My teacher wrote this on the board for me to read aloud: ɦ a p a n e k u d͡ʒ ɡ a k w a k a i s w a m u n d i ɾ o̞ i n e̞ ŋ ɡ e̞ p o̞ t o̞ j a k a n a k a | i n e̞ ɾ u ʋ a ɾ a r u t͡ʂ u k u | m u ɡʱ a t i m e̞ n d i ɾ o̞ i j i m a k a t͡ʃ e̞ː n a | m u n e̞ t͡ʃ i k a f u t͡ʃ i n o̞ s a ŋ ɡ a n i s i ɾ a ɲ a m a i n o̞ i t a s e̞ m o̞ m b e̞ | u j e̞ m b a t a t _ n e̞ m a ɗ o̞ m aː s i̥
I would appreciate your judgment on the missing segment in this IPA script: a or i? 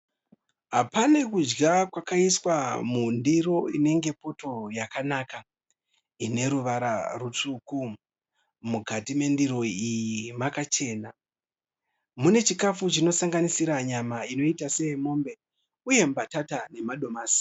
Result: a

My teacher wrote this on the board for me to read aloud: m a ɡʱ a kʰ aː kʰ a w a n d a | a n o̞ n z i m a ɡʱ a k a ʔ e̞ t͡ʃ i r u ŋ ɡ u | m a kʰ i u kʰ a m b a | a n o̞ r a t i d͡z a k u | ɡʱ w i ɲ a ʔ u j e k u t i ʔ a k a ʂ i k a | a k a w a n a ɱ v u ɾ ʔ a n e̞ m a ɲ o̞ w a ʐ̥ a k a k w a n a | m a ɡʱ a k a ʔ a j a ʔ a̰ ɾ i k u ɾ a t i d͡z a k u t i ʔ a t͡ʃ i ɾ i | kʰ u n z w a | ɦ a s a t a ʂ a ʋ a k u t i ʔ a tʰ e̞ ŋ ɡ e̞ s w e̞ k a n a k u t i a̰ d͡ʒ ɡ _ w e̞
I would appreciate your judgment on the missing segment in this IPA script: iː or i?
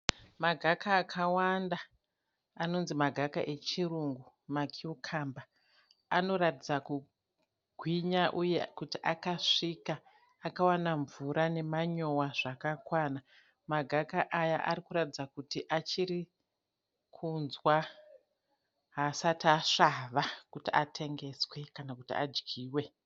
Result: iː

